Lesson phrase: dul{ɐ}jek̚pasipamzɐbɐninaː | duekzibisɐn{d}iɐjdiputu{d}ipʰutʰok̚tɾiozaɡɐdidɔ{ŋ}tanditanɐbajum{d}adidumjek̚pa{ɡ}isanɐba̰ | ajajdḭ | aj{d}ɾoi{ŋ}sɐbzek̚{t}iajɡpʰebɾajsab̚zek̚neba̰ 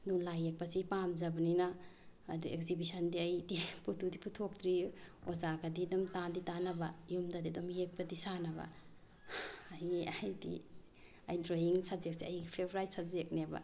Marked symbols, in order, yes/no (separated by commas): no, yes, yes, no, yes, no, yes, yes, no